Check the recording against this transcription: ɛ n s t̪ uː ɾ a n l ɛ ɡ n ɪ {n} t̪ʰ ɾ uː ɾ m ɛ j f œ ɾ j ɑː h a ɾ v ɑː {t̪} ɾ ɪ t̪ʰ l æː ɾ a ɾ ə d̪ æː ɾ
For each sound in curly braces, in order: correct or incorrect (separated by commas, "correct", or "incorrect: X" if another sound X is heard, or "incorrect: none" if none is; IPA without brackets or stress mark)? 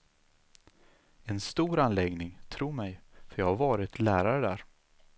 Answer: incorrect: ŋ, incorrect: none